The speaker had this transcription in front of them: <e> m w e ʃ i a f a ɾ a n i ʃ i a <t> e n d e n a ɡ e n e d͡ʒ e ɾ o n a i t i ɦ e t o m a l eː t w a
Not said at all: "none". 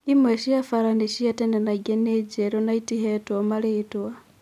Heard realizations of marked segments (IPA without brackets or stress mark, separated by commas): i, t